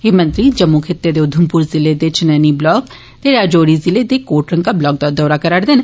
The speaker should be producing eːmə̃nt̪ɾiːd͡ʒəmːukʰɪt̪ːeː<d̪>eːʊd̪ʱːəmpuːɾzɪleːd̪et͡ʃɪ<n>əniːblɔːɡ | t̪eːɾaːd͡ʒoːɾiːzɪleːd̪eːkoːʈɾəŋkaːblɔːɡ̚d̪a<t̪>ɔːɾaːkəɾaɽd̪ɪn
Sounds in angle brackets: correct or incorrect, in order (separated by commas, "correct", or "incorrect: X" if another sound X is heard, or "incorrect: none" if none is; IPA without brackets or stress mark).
correct, correct, incorrect: d̪